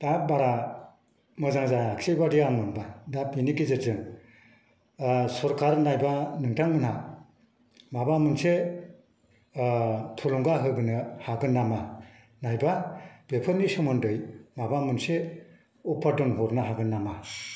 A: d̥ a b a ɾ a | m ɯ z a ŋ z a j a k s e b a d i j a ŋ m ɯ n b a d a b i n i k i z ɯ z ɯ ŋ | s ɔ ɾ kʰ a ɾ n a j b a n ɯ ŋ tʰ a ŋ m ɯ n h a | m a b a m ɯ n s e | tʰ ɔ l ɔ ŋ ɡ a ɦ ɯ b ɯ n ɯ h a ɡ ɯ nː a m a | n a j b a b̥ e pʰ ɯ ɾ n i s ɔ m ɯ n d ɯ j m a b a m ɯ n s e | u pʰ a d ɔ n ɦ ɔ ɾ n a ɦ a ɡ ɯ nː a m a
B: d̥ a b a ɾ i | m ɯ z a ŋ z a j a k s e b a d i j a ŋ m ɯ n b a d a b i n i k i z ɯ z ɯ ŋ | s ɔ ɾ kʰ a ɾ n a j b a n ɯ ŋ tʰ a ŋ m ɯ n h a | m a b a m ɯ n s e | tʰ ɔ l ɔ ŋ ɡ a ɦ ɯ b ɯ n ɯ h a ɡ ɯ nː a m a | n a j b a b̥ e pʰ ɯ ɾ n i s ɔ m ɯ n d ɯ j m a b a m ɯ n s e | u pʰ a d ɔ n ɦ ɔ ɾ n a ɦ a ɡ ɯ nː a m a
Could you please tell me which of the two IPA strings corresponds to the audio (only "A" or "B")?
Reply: A